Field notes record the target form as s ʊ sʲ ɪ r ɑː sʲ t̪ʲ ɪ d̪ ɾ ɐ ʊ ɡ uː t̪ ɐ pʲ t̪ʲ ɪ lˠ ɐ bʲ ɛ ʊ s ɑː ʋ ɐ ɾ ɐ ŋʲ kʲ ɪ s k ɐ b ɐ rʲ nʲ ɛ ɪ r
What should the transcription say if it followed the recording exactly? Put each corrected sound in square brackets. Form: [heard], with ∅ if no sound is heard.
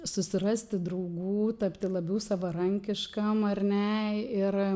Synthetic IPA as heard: s ʊ sʲ ɪ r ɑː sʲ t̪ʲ ɪ d̪ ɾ ɐ ʊ ɡ uː t̪ ɐ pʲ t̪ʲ ɪ lˠ ɐ bʲ ɛ ʊ s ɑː ʋ ɐ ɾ ɐ ŋʲ kʲ ɪ [ʃ] k ɐ [m] ɐ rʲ nʲ ɛ ɪ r